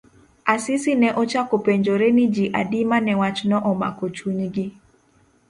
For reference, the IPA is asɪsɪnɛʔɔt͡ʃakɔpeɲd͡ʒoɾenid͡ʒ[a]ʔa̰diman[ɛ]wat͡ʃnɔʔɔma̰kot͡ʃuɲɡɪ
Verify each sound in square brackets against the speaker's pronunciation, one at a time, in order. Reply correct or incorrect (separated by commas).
incorrect, correct